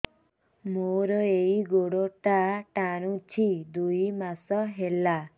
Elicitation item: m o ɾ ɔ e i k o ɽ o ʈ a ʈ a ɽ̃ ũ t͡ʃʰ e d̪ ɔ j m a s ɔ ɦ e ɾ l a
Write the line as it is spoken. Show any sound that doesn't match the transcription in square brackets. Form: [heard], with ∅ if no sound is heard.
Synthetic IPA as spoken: m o ɾ ɔ e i [ɡ] o ɽ o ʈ a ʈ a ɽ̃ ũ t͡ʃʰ [i] d̪ [u] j m a s ɔ ɦ e [∅] l a